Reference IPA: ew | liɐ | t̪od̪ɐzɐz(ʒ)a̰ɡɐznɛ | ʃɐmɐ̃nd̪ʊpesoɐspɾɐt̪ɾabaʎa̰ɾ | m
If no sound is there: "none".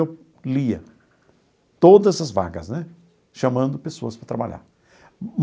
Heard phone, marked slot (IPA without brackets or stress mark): v